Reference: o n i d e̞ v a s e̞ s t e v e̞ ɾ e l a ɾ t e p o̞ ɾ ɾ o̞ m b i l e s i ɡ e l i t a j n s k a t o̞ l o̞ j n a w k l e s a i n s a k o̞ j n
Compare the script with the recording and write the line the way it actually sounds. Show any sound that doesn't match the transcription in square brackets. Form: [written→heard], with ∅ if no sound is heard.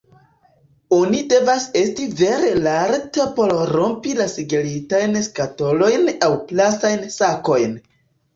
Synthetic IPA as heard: o n i d e̞ v a s e̞ s t [e→i] v e̞ ɾ e l a ɾ t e p o̞ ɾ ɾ o̞ m [b→p] i l [e→a] s i ɡ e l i t a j n s k a t o̞ l o̞ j n a w [k→p] l [e→a] s a [i→j] n s a k o̞ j n